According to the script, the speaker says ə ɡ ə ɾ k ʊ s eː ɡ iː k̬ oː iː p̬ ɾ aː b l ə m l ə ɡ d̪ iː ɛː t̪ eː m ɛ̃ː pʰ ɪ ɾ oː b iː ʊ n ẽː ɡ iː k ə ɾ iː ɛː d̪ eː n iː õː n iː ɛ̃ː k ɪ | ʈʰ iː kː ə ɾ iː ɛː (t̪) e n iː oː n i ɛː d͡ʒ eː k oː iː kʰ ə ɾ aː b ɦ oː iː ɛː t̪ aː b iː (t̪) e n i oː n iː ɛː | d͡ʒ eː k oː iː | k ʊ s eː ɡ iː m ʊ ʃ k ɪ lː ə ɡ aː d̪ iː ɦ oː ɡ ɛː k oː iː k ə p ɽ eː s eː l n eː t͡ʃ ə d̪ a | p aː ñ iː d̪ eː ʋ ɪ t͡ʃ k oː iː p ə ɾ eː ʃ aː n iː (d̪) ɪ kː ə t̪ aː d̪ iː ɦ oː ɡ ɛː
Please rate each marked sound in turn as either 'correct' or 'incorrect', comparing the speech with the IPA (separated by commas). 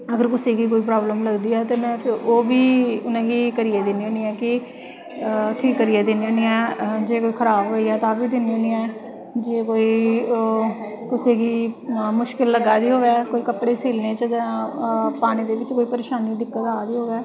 incorrect, incorrect, correct